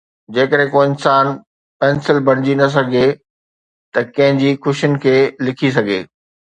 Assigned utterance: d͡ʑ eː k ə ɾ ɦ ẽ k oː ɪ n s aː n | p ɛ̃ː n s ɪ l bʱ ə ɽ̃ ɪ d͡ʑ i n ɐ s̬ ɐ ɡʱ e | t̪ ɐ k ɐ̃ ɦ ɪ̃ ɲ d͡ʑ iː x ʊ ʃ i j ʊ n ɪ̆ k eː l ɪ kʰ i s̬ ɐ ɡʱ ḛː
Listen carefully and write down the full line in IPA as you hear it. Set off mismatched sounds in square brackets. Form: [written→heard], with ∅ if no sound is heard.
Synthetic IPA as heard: d͡ʑ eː k ə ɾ ɦ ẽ k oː ɪ n s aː n | p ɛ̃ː n s ɪ l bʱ [ə→ɐ] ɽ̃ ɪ d͡ʑ i n ɐ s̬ ɐ ɡʱ e | t̪ ɐ k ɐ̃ ɦ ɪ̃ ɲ d͡ʑ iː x ʊ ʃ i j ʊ n ɪ̆ [k→kʰ] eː l ɪ kʰ i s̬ ɐ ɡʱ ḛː